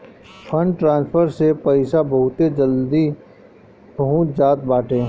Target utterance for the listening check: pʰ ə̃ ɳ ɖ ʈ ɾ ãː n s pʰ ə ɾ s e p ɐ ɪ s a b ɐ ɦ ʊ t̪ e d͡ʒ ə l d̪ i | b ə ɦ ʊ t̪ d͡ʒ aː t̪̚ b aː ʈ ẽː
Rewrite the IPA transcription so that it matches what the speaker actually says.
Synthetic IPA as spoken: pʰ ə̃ ɳ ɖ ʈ ɾ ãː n s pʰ ə ɾ s e p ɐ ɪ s a b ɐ ɦ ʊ t̪ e d͡ʒ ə l d̪ i | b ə ɦ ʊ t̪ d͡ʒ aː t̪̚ b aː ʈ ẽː